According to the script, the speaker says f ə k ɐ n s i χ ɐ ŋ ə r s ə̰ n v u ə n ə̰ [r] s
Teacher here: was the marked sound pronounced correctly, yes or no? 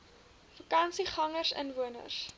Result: yes